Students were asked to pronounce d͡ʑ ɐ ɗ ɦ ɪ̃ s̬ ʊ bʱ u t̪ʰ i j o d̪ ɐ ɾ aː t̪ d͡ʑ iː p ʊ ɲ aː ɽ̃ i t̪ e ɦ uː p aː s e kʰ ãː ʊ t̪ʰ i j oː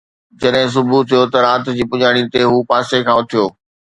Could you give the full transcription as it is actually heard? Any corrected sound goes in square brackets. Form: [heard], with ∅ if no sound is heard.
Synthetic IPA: d͡ʑ ɐ ɗ ɦ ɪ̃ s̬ ʊ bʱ u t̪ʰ i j o [t̪] ɐ ɾ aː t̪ d͡ʑ iː p ʊ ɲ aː ɽ̃ i t̪ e ɦ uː p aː s e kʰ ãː ʊ t̪ʰ i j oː